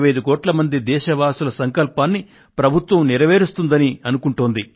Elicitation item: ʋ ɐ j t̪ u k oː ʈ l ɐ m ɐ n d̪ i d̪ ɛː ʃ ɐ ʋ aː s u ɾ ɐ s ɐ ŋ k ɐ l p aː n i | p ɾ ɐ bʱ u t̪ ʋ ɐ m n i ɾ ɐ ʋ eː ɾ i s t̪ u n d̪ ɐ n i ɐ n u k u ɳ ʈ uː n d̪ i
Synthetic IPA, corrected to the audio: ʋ ɐ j d̪ u k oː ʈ l ɐ m ɐ n d̪ i d̪ ɛː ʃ ɐ ʋ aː s u l ɐ s ɐ ŋ k ɐ l p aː nː i | p ɾ ɐ bʱ u t̪ ʋ ɐ m n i ɾ ɐ ʋ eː ɾ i s t̪ u n d̪ ɐ n i ɐ n u k u ɳ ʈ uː n d̪ i